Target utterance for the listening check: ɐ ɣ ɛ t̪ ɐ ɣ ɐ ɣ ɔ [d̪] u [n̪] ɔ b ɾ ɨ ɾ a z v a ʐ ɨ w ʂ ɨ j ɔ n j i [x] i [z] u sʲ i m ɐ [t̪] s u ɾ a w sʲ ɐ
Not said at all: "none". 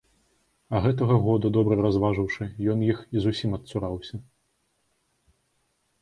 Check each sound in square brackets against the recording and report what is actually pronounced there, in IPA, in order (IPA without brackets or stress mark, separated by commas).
d̪, d̪, x, z, t̪